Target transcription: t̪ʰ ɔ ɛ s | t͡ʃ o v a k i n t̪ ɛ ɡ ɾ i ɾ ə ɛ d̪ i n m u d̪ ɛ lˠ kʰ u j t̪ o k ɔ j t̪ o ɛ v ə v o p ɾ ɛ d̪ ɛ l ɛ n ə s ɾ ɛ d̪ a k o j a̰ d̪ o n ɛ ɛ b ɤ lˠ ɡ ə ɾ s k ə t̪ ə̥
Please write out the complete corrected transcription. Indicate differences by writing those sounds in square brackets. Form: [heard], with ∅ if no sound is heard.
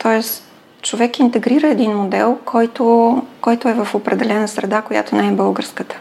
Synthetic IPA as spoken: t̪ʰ ɔ ɛ s | t͡ʃ o v [ɛ] k i n t̪ ɛ ɡ ɾ i ɾ ə ɛ d̪ i n m [o] d̪ ɛ lˠ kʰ [ɔ] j t̪ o k ɔ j t̪ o ɛ v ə [f] o p ɾ ɛ d̪ ɛ l ɛ n ə s ɾ ɛ d̪ a k o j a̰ [t̪] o n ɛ ɛ b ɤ lˠ ɡ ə ɾ s k ə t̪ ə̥